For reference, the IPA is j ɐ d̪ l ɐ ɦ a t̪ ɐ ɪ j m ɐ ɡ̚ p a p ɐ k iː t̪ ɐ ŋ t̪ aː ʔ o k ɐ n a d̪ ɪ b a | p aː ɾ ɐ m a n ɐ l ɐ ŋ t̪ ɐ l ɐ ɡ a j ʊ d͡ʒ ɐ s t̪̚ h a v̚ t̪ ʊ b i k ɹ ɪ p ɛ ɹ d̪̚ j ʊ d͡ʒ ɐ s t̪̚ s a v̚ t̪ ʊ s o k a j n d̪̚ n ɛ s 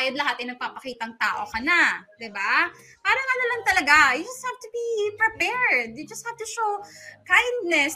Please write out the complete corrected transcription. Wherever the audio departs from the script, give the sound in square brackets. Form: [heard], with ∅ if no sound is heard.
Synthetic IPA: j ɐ d̪ l ɐ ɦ a t̪ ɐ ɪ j [n] ɐ ɡ̚ p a p ɐ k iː t̪ ɐ ŋ t̪ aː ʔ o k ɐ n a d̪ ɪ b a | p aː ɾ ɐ [ŋ] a n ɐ l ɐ ŋ t̪ ɐ l ɐ ɡ a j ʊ d͡ʒ ɐ s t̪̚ h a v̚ t̪ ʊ b i [p] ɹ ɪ p ɛ ɹ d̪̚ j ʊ d͡ʒ ɐ s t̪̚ [h] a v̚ t̪ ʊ [ʃ] o k a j n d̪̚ n ɛ s